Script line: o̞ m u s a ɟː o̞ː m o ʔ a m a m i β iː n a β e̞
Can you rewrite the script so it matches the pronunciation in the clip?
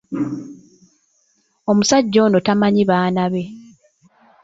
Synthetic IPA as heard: o̞ m u s a ɟː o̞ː n o t a m a ɲ i β aː n a β e̞